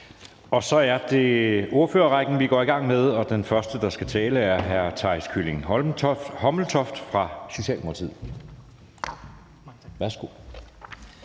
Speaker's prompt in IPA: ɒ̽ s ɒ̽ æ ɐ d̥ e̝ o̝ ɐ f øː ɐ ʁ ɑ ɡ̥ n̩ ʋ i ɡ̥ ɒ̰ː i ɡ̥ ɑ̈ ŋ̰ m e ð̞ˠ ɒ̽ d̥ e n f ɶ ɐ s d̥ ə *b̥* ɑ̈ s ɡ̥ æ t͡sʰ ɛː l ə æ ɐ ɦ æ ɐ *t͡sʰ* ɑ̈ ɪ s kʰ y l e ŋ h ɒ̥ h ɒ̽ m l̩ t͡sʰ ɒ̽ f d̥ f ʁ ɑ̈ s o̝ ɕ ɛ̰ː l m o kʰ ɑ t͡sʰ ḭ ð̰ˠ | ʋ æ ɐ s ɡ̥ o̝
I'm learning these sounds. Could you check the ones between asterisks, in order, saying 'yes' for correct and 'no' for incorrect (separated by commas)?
no, yes